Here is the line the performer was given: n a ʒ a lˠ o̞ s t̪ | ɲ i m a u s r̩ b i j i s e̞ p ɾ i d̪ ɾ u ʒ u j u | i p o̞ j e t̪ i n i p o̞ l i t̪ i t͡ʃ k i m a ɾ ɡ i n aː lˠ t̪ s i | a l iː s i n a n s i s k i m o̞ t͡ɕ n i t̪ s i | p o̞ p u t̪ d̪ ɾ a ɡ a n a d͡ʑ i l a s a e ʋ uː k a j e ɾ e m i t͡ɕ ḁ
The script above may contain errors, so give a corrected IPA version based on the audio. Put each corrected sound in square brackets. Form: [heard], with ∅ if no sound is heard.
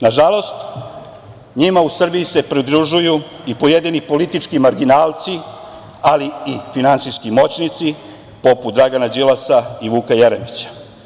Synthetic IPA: n a ʒ a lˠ o̞ s t̪ | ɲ i m a u s r̩ b i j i s e̞ p ɾ i d̪ ɾ u ʒ u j u | i p o̞ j e [d̪] i n i p o̞ l i t̪ i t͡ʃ k i m a ɾ ɡ i n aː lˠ t̪ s i | a l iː [f] i n a n s i s k i m o̞ t͡ɕ n i t̪ s i | p o̞ p u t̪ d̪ ɾ a ɡ a n a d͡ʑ i l a s a [i] ʋ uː k a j e ɾ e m i t͡ɕ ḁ